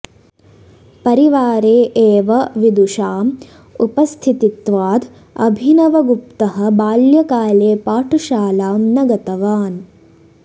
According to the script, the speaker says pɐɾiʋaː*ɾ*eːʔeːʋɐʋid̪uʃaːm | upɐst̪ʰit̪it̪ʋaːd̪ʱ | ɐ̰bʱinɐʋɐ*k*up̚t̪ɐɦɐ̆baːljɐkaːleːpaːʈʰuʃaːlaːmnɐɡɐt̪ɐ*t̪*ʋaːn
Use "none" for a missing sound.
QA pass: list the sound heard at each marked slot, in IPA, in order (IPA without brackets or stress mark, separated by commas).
ɾ, ɡ, none